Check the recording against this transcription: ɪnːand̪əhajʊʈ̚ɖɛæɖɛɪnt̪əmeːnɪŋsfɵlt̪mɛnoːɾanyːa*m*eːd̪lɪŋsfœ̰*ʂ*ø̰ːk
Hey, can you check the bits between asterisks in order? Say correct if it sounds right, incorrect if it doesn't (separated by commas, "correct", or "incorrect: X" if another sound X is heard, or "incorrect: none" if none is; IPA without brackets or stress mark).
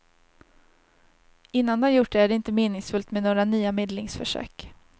correct, correct